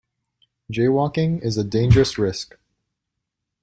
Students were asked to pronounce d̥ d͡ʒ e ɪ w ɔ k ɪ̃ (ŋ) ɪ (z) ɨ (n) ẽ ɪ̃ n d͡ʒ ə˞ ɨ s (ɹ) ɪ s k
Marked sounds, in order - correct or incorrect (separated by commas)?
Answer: correct, correct, incorrect, correct